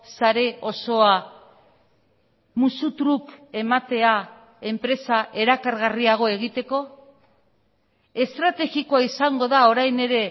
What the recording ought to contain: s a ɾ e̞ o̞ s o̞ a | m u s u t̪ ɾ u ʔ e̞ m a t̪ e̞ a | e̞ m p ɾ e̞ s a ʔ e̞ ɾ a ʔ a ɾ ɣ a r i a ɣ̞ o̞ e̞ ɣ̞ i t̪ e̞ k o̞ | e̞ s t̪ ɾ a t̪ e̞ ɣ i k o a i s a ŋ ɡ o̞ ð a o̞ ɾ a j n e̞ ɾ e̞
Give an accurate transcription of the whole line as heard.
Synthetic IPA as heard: s a ɾ e̞ o̞ s o̞ a | m u s u t̪ ɾ u k e̞ m a t̪ e̞ a | e̞ m p ɾ e̞ s a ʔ e̞ ɾ a k a ɾ ɣ a r i a ɣ̞ o̞ e̞ ɣ̞ i t̪ e̞ k o̞ | e̞ s t̪ ɾ a t̪ e̞ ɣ i k o a i s a ŋ ɡ o̞ ð a o̞ ɾ a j n e̞ ɾ e̞

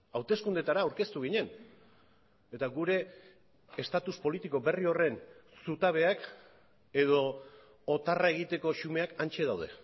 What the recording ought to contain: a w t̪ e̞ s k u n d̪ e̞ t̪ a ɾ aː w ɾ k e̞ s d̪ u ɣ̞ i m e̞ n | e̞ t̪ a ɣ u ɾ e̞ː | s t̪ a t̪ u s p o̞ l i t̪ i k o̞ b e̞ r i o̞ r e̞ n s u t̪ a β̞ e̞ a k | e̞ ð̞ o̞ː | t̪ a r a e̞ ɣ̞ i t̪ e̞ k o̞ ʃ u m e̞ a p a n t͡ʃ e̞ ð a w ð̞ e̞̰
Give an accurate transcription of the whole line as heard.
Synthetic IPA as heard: a w t̪ e̞ s k u n d̪ e̞ t̪ a ɾ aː w ɾ k e̞ s t̪ u ɣ̞ i ɲ e̞ n | e̞ t̪ a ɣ u ɾ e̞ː | s t̪ a t̪ u s p o̞ l i t̪ i k o̞ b e̞ r i o̞ r e̞ n s u t̪ a β̞ e̞ a k | e̞ ð̞ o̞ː | t̪ a r a e̞ ɣ̞ i t̪ e̞ k o̞ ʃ u m e̞ a k a n t͡ʃ e̞ ð a w ð̞ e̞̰

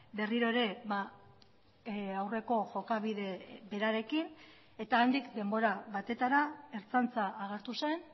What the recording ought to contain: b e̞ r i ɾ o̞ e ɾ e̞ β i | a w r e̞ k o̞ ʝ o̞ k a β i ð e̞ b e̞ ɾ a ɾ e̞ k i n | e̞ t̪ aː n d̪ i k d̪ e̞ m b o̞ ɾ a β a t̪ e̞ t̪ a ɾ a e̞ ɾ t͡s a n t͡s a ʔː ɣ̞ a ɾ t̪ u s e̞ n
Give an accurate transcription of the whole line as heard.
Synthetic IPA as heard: b e̞ r i ɾ o̞ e ɾ e̞ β a | a w r e̞ k o̞ ʝ o̞ k a β i ð e̞ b e̞ ɾ a ɾ e̞ k i n | e̞ t̪ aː n d̪ i k d̪ e̞ m b o̞ ɾ a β a t̪ e̞ t̪ a ɾ a e̞ ɾ t͡s a n t͡s a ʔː ɣ̞ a ɾ t̪ u s e̞ n

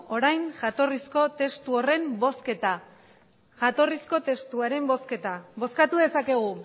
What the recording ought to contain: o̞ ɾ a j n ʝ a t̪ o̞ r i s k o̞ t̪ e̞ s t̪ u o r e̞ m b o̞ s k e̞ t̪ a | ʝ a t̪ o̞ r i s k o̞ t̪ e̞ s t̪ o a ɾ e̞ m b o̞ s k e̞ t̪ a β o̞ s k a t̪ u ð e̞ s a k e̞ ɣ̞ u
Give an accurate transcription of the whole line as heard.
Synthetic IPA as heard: o̞ ɾ a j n ʝ a t̪ o̞ r i s k o̞ t̪ e̞ s t̪ u o r e̞ m b o̞ s k e̞ t̪ a | ʝ a t̪ o̞ r i s k o̞ t̪ e̞ s t̪ u a ɾ e̞ m b o̞ s k e̞ t̪ a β o̞ s k a t̪ u ð e̞ s a k e̞ ɣ̞ u

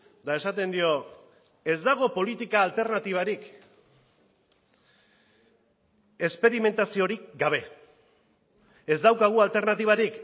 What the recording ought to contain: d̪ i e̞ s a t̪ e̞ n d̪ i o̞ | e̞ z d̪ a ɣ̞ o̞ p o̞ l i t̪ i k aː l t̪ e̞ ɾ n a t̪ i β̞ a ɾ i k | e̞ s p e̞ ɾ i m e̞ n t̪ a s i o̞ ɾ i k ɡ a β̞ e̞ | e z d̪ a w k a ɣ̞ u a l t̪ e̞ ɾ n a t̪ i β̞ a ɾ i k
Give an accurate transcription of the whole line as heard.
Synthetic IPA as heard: d̪ a e̞ s a t̪ e̞ n d̪ i o̞ | e̞ z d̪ a ɣ̞ o̞ p o̞ l i t̪ i k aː l t̪ e̞ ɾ n a t̪ i β̞ a ɾ i k | e̞ s p e̞ ɾ i m e̞ n t̪ a s i o̞ ɾ i k ɡ a β̞ e̞ | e z d̪ a w k a ɣ̞ u a l t̪ e̞ ɾ n a t̪ i β̞ a ɾ i k

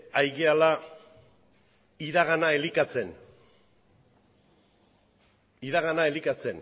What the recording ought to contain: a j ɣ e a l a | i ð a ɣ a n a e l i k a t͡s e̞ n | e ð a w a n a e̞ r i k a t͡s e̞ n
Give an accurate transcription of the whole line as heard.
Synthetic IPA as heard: a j ɣ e a l a | i ð a ɣ a n a e l i k a t͡s e̞ n | i ð a ɣ a n a e̞ l i k a t͡s e̞ n

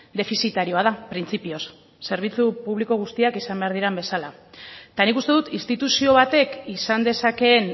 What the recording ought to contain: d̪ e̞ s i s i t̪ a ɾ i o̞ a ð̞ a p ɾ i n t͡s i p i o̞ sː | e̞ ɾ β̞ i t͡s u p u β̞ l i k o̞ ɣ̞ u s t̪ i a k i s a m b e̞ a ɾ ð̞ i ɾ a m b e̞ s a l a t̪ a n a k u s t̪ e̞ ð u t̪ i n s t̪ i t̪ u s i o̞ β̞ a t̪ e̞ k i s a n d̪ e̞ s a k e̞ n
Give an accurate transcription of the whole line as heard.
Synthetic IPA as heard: d̪ e̞ f i s i t̪ a ɾ i o̞ a ð̞ a p ɾ i n t͡s i p i o̞ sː | e̞ ɾ β̞ i t͡s u p u β̞ l i k o̞ ɣ̞ u s t̪ i a k i s a m b e̞ a ɾ ð̞ i ɾ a m b e̞ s a l a t̪ a n i k u s t̪ e̞ ð u t̪ i n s t̪ i t̪ u s i o̞ β̞ a t̪ e̞ k i s a n d̪ e̞ s a k e̞ n

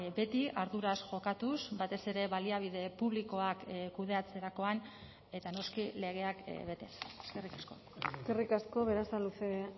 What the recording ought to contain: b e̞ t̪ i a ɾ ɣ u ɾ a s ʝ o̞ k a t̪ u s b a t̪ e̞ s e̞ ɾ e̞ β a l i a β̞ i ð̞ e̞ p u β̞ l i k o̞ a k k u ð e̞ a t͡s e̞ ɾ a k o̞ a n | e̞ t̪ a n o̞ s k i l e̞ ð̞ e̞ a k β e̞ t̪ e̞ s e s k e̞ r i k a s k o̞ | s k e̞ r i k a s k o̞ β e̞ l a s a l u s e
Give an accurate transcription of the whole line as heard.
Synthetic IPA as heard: b e̞ t̪ i a ɾ ð u ɾ a s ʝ o̞ k a t̪ u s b a t̪ e̞ s e̞ ɾ e̞ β a l i a β̞ i ð̞ e̞ p u β̞ l i k o̞ a k k u ð e̞ a t͡s e̞ ɾ a k o̞ a n | e̞ t̪ a n o̞ s k i l e̞ ɣ̞ e̞ a k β e̞ t̪ e̞ s e s k e̞ r i k a s k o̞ | s k e̞ r i k a s k o̞ β e̞ ɾ a s a l u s e

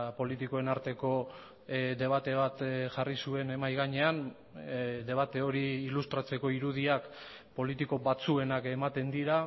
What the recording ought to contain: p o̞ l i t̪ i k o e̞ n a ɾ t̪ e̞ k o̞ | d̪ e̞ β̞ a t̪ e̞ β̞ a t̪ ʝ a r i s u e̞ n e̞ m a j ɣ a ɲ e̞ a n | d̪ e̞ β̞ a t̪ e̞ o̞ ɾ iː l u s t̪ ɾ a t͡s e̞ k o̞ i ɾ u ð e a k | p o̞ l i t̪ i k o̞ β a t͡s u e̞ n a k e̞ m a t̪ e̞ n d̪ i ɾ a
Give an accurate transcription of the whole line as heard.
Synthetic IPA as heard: p o̞ l i t̪ i k o e̞ n a ɾ t̪ e̞ k o̞ | d̪ e̞ β̞ a t̪ e̞ β̞ a t̪ ʝ a r i s u e̞ n e̞ m a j ɣ a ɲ e̞ a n | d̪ e̞ β̞ a t̪ e̞ o̞ ɾ iː l u s t̪ ɾ a t͡s e̞ k o̞ i ɾ u ð i a k | p o̞ l i t̪ i k o̞ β a t͡s u e̞ n a k e̞ m a t̪ e̞ n d̪ i ɾ a

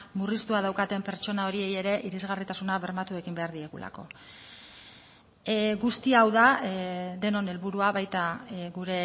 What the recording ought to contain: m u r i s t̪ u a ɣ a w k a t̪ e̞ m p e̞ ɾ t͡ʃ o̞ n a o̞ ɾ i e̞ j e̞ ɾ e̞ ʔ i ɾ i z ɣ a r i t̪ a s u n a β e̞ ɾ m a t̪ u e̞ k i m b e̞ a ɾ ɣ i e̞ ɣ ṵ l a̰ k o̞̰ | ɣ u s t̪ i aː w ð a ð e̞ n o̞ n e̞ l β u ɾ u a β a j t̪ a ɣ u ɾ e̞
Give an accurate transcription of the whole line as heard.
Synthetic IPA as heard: m u r i s t̪ u a ð a w k a t̪ e̞ m p e̞ ɾ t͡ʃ o̞ n a o̞ ɾ i e̞ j e̞ ɾ e̞ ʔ i ɾ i z ɣ a r i t̪ a s u n a β e̞ ɾ m a t̪ u e̞ k i m b e̞ a ɾ ð i e̞ ɣ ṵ l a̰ k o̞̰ | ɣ u s t̪ i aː w ð a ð e̞ n o̞ n e̞ l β u ɾ u a β a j t̪ a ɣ u ɾ e̞

